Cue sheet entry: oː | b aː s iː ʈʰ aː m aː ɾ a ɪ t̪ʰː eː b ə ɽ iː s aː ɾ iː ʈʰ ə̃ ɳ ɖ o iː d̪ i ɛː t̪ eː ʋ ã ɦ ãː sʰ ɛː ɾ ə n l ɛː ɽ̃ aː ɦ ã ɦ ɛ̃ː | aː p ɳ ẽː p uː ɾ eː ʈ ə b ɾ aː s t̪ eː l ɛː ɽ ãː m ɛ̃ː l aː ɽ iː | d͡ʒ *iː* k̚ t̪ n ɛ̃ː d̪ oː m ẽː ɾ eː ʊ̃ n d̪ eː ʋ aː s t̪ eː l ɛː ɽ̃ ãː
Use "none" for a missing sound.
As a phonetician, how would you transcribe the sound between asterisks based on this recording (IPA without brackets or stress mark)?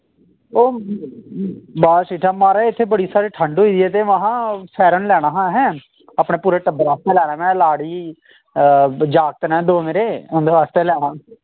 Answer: aː